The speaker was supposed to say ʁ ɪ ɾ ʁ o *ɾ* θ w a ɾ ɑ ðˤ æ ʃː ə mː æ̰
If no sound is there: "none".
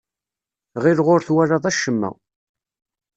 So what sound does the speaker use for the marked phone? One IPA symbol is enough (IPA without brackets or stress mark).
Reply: ɾ